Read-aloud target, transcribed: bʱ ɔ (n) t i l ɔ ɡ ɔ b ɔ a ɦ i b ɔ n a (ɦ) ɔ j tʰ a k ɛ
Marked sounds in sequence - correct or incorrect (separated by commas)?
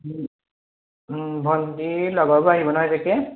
correct, correct